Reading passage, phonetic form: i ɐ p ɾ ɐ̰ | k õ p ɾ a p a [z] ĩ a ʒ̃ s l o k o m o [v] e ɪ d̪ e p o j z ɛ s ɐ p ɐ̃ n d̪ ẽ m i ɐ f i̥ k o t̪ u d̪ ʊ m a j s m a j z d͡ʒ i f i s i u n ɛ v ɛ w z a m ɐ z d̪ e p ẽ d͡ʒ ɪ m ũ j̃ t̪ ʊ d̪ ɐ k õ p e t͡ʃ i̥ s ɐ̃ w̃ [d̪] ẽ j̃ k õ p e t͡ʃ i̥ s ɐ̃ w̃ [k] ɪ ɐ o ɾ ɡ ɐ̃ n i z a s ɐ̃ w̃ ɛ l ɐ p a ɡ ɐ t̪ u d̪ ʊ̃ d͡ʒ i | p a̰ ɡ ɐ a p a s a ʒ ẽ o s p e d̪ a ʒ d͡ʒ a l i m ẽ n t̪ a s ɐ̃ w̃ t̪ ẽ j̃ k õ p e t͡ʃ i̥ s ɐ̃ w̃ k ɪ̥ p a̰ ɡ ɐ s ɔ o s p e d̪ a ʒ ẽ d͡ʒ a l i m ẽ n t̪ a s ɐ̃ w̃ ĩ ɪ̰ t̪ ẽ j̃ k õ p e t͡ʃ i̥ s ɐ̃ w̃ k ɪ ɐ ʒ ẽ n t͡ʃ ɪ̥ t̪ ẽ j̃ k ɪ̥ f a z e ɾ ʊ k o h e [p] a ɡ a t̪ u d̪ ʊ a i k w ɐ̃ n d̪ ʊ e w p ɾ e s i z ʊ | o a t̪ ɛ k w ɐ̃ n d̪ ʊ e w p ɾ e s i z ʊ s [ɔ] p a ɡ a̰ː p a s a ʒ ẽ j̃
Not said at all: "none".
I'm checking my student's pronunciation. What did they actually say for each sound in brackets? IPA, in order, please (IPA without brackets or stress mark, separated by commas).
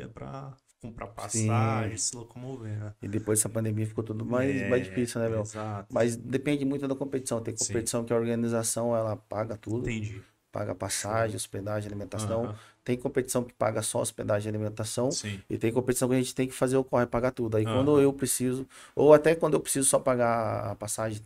s, v, t̪, k, p, ɔ